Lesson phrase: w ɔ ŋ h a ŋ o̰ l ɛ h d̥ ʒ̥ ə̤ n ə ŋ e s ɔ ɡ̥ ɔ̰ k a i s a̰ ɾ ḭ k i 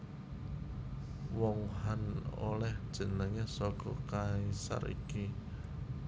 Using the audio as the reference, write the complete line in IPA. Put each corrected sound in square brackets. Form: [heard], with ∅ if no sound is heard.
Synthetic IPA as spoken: w ɔ ŋ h a [n] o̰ l ɛ h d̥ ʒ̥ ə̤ n ə ŋ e s ɔ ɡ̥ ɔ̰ k a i s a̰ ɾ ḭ k i